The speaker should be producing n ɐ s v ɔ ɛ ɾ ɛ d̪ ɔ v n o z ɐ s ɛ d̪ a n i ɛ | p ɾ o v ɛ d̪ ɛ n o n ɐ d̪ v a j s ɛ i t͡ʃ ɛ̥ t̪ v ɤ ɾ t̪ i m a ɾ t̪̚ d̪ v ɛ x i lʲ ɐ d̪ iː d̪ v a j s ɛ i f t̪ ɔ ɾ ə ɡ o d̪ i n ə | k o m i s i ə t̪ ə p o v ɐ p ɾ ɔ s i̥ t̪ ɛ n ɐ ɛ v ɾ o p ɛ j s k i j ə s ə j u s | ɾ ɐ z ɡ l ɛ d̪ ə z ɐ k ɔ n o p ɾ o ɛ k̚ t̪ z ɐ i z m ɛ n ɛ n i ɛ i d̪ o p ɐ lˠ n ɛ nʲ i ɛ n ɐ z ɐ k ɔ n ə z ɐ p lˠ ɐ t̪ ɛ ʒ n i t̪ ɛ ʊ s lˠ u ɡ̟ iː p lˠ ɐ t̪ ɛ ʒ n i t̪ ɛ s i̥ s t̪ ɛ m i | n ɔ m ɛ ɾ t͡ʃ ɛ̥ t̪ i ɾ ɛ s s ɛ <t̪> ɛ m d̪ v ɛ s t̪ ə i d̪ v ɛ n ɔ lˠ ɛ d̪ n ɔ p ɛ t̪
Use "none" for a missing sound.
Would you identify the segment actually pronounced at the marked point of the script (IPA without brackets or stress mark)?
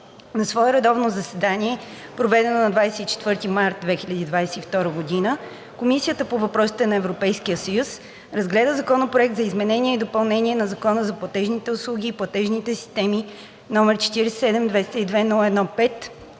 d̪